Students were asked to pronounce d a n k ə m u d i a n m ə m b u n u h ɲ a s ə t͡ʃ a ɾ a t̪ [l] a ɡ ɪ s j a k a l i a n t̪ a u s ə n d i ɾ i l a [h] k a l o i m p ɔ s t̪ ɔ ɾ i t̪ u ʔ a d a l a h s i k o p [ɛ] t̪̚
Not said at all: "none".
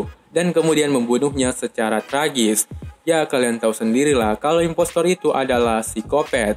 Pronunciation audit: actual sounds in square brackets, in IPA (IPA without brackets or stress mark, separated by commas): ɾ, h, ɛ